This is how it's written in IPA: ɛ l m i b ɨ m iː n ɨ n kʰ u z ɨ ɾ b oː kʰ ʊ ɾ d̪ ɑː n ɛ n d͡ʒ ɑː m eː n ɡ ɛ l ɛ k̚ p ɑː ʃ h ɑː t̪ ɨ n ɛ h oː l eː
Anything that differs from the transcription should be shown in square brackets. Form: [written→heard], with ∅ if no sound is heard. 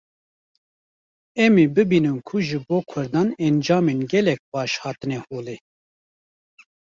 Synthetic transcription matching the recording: ɛ [l→∅] m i b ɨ [m→b] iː n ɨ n kʰ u [z→ʒ] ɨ [ɾ→∅] b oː kʰ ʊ ɾ d̪ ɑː n ɛ n d͡ʒ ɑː m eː n ɡ ɛ l ɛ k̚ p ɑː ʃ h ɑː t̪ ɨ n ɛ h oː l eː